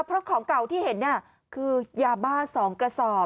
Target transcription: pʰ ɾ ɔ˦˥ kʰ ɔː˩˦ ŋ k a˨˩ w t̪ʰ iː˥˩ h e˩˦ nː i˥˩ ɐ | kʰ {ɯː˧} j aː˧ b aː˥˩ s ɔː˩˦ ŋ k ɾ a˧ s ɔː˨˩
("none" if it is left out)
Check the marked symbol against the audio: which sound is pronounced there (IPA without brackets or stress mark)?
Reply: ɯː˧